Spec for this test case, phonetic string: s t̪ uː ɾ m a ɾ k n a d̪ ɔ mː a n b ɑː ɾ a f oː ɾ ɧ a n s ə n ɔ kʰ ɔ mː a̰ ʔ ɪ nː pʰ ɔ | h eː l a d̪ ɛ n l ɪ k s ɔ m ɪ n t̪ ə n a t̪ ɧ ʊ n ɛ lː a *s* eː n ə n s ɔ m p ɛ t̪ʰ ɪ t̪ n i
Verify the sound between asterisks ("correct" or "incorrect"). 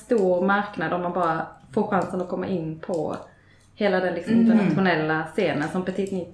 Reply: correct